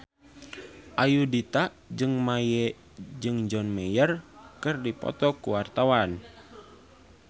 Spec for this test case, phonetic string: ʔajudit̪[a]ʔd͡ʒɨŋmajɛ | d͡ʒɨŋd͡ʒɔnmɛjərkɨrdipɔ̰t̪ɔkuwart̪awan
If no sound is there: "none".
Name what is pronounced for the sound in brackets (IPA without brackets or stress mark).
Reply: a